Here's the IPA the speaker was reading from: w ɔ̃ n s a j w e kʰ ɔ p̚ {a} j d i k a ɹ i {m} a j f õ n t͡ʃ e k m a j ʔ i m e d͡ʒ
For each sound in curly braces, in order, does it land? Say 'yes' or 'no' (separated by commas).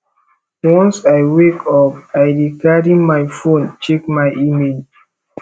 yes, yes